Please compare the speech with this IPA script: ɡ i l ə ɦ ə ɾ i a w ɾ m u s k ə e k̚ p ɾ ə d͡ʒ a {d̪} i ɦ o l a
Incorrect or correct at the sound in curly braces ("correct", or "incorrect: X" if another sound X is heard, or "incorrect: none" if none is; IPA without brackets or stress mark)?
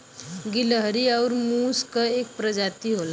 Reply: incorrect: t̪